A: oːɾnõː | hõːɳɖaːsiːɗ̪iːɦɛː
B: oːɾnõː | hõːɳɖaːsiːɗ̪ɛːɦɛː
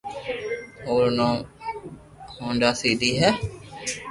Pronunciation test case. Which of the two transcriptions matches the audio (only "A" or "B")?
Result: A